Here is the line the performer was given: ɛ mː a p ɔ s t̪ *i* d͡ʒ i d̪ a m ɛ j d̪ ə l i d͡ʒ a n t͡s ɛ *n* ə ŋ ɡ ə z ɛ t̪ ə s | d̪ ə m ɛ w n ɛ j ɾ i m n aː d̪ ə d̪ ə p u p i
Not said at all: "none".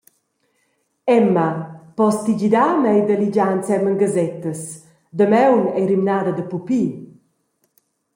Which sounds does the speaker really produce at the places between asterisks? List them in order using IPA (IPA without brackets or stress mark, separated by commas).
i, m